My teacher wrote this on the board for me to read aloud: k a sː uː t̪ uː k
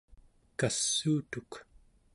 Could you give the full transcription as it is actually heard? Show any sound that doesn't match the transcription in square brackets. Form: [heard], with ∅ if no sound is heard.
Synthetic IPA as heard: k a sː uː t̪ [u] k